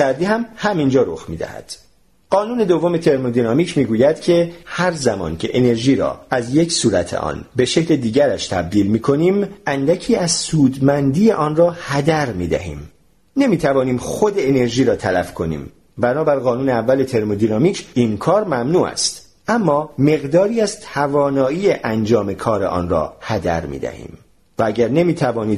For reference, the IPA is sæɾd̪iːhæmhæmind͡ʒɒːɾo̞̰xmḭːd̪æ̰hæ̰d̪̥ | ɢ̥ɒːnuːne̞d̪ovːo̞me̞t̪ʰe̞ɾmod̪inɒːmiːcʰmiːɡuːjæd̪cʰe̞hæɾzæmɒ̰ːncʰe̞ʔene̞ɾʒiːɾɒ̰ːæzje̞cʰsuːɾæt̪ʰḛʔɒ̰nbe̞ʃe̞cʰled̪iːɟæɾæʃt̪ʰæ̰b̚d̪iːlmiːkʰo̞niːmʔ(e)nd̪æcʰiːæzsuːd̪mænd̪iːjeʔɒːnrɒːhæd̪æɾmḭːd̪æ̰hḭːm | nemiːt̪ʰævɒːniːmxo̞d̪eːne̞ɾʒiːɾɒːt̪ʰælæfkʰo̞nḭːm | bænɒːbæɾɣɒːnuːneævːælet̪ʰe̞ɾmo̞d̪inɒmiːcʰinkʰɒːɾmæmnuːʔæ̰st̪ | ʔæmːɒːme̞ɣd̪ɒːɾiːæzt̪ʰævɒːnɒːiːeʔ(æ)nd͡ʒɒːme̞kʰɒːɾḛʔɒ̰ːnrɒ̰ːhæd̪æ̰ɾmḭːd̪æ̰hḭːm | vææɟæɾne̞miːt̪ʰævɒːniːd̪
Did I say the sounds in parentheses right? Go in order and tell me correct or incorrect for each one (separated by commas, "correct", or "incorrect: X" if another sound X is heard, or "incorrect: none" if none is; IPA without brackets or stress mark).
incorrect: æ, correct